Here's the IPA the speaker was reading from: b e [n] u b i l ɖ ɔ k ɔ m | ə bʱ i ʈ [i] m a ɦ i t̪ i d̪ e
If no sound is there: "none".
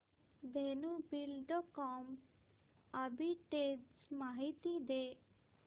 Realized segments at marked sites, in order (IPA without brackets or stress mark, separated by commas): n, e